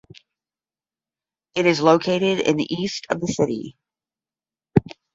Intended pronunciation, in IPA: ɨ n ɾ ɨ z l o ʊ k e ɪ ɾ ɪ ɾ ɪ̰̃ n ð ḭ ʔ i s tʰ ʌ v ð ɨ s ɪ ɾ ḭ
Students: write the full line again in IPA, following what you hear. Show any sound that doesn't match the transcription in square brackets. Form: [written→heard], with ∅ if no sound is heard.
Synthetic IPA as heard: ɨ [n→∅] ɾ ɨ z l o ʊ [k→kʰ] e ɪ ɾ ɪ ɾ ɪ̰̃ n ð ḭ ʔ i s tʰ ʌ v ð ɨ s ɪ ɾ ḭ

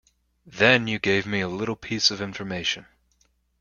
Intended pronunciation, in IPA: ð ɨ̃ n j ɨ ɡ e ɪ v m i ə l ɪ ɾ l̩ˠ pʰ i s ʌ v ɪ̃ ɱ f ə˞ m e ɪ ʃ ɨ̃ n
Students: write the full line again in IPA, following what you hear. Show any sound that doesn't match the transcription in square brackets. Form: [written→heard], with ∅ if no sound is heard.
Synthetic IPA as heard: ð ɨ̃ n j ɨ ɡ e ɪ v m i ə l ɪ ɾ l̩ˠ pʰ i s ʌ v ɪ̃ ɱ f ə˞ m e ɪ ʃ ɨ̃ n

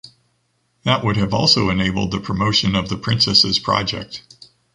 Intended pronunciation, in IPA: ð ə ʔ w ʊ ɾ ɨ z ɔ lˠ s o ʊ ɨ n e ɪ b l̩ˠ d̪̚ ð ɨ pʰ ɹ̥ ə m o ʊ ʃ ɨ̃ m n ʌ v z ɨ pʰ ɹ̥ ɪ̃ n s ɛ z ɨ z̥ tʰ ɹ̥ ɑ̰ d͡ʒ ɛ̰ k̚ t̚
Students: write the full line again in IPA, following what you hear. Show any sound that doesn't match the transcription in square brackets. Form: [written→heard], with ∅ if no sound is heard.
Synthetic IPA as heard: ð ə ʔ w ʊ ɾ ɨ [z→v] ɔ lˠ s o ʊ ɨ n e ɪ b l̩ˠ d̪̚ ð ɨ pʰ ɹ̥ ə m o ʊ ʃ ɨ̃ [m→∅] n ʌ v [z→ð] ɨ pʰ ɹ̥ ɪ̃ n s ɛ [z→s] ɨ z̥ [tʰ→pʰ] ɹ̥ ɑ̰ d͡ʒ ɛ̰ k̚ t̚

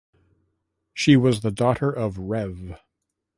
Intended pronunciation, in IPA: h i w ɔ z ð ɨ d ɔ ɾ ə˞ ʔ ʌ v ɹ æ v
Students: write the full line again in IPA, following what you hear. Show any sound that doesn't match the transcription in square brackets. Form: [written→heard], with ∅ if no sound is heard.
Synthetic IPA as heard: [h→ʃ] i w [ɔ→ʌ] z ð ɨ d ɔ ɾ ə˞ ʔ ʌ v ɹ [æ→ɛ] v

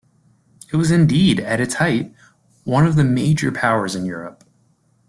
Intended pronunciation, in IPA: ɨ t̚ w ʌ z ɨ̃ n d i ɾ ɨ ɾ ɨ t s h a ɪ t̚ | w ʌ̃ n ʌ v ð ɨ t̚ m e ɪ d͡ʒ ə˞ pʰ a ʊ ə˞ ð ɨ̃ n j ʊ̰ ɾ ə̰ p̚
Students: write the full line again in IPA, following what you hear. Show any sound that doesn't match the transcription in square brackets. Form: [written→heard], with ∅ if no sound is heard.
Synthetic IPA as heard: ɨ t̚ w ʌ z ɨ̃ n d i ɾ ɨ ɾ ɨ t s h a ɪ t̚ | w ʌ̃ n ʌ v ð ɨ [t̚→∅] m e ɪ d͡ʒ ə˞ pʰ a ʊ ə˞ [ð→z] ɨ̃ n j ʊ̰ [ɾ→ɹ] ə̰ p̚

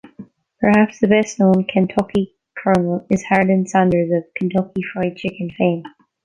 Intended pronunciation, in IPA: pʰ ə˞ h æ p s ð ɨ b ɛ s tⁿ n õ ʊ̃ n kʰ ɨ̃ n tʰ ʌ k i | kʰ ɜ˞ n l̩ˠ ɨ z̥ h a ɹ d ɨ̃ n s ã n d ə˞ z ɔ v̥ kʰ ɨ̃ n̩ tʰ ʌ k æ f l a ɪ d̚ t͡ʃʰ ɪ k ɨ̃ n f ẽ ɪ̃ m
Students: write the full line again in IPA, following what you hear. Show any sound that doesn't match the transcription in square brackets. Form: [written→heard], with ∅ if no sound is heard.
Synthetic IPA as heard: pʰ ə˞ h æ p s ð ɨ b ɛ s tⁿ n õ ʊ̃ n kʰ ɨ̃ n tʰ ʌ k i | kʰ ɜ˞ n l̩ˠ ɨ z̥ h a ɹ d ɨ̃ n s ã n d ə˞ z [ɔ→ʌ] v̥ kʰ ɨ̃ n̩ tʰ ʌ k [æ→i] f [l→ɹ] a ɪ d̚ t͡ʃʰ ɪ k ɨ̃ n f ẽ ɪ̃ m

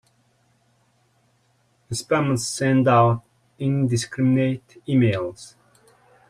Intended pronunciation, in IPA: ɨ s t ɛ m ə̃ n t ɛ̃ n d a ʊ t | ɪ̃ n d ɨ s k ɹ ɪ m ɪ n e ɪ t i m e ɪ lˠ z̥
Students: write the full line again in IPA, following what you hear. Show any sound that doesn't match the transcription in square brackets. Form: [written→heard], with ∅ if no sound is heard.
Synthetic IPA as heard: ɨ s [t→p] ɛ m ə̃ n [t→s] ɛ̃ n d a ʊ t | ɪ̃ n d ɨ s k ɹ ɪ m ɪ n e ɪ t i m e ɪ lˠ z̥

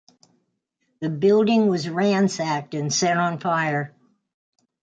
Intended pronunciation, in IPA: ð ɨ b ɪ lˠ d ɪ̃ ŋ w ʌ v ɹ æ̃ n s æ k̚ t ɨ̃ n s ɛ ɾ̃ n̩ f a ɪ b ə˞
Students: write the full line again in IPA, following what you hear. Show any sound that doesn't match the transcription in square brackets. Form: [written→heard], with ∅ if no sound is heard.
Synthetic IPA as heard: ð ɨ b ɪ lˠ d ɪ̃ ŋ w ʌ [v→z] ɹ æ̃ n s æ k̚ t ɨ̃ n s ɛ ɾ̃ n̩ f a ɪ [b→∅] ə˞

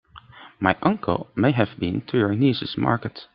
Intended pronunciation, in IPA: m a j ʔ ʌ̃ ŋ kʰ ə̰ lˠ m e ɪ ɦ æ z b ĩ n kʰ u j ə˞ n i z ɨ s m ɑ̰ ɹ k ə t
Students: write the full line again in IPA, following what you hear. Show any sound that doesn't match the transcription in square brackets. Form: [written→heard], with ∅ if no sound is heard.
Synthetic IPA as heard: m a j ʔ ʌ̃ ŋ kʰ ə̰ lˠ m e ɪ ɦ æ [z→v] b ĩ n [kʰ→tʰ] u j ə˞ n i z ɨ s m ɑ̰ ɹ k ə t

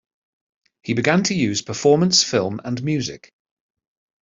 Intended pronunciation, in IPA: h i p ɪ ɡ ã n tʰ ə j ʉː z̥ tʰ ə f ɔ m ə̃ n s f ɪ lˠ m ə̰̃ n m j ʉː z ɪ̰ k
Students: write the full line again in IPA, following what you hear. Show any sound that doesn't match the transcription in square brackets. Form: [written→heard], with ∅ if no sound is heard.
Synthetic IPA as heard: h i [p→b] ɪ ɡ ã n tʰ ə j ʉː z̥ [tʰ→pʰ] ə f [ɔ→ɔː] m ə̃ n s f ɪ lˠ m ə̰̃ n m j ʉː z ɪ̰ k

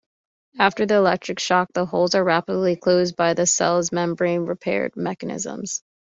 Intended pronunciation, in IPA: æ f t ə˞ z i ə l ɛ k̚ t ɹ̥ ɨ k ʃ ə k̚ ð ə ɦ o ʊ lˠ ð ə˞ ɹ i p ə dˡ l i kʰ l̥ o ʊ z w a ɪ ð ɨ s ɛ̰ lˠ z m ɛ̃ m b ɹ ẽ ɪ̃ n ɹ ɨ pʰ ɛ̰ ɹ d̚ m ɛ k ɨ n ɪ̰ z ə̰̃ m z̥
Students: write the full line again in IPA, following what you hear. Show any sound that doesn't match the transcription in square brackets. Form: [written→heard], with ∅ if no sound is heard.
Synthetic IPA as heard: æ f t ə˞ [z→ð] i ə l ɛ k̚ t ɹ̥ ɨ k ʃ [ə→ɑ] k̚ ð ə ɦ o ʊ lˠ [ð→z] ə˞ ɹ [i→æ] p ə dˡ l i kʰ l̥ o ʊ z [w→b] a ɪ ð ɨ s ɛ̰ lˠ z m ɛ̃ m b ɹ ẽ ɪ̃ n ɹ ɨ pʰ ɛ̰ ɹ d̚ m ɛ k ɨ n ɪ̰ z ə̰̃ m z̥

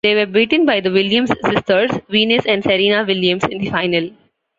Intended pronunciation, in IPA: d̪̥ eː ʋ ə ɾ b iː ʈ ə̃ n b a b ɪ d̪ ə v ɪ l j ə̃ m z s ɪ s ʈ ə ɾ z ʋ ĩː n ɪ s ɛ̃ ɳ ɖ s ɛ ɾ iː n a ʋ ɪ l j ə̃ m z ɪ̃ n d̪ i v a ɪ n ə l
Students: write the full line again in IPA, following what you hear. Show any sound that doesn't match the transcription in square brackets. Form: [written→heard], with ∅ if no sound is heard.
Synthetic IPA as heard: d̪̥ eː ʋ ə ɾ b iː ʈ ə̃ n b a [b→∅] ɪ d̪ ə [v→ʋ] ɪ l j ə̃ m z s ɪ s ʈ ə ɾ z ʋ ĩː n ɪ s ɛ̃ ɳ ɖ s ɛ ɾ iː n a ʋ ɪ l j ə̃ m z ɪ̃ n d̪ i [v→f] a ɪ n ə l

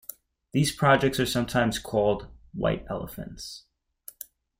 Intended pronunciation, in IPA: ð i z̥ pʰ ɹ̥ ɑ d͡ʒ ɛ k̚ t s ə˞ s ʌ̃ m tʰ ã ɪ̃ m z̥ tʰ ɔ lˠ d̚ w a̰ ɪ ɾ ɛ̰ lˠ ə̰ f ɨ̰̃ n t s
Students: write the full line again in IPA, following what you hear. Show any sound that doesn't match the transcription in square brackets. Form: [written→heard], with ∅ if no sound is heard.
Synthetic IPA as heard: ð i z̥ pʰ ɹ̥ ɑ d͡ʒ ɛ k̚ t s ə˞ s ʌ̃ m tʰ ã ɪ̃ m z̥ [tʰ→kʰ] ɔ lˠ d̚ w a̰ ɪ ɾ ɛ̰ lˠ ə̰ f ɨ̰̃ n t s

